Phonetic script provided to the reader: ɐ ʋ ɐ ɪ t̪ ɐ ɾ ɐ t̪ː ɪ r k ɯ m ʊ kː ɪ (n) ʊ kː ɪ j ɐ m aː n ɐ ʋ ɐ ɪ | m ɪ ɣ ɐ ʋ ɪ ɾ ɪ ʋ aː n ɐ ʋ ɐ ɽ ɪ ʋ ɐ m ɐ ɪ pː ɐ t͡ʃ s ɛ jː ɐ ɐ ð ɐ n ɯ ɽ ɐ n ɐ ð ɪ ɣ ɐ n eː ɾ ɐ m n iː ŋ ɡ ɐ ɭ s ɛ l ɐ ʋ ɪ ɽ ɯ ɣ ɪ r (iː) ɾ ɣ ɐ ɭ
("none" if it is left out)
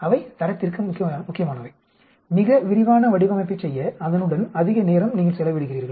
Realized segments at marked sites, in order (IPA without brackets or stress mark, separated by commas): m, iː